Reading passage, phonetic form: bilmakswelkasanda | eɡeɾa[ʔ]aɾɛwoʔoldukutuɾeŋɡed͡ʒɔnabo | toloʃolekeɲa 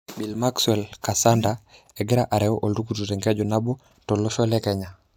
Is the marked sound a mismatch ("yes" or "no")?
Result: no